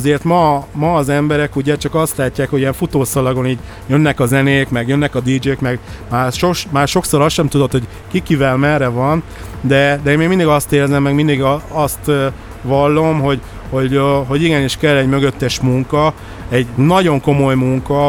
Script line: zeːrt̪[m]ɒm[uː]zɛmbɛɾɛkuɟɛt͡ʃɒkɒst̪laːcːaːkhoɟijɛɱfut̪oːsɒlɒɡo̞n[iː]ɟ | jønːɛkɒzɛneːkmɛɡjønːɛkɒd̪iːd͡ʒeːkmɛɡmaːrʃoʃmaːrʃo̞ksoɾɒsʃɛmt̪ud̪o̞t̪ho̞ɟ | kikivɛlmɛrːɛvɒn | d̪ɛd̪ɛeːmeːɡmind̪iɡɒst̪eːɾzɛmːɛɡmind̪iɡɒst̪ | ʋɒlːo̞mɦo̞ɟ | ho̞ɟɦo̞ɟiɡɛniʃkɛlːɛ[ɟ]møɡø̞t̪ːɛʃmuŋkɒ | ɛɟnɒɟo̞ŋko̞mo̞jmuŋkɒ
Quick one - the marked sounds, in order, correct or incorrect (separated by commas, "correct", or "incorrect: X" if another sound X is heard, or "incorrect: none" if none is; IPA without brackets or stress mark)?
correct, incorrect: ɒː, correct, correct